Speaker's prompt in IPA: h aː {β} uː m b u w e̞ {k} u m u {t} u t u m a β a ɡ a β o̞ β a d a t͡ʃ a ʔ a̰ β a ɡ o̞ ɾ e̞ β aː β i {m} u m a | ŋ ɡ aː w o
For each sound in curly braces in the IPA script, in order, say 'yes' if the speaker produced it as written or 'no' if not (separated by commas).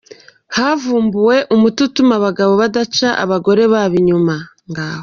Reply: no, no, yes, no